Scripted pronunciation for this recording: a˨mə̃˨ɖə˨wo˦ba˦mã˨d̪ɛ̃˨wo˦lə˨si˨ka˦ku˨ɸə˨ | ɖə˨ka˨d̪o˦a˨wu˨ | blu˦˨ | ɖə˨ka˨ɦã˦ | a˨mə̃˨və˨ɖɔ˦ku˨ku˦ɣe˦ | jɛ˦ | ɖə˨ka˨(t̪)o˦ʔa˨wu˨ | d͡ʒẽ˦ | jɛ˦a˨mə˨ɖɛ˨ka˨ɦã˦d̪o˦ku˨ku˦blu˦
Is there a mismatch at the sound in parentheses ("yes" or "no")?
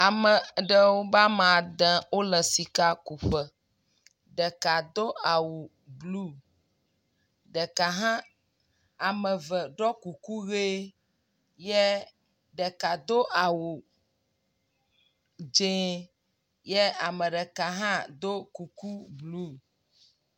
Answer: yes